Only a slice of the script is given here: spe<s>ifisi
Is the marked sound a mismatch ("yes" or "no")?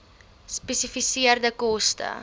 no